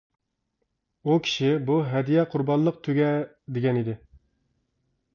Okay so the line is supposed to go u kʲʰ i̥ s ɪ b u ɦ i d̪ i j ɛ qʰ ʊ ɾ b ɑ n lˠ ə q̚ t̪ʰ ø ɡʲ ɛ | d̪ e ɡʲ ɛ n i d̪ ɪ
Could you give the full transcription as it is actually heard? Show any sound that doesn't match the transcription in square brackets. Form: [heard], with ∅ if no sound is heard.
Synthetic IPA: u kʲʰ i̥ [ʃ] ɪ b u ɦ [ɛ] d̪ i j ɛ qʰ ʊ ɾ b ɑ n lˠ ə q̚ t̪ʰ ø ɡʲ ɛ | d̪ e ɡʲ ɛ n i d̪ ɪ